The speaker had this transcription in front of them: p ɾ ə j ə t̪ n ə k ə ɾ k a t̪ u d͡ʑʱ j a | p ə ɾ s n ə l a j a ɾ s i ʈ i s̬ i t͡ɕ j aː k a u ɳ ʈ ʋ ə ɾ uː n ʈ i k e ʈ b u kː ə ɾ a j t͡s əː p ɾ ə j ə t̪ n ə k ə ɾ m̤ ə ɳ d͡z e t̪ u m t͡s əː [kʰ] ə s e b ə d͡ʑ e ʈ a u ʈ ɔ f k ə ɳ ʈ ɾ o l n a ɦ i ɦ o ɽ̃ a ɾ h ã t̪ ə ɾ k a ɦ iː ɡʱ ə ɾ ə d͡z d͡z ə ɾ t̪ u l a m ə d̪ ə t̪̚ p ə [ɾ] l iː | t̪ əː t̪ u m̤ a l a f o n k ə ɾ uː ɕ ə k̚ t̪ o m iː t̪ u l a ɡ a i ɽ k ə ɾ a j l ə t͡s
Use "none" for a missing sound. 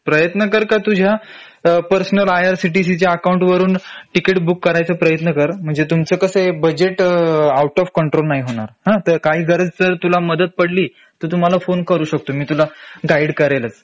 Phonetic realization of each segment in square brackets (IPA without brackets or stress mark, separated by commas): k, ɽ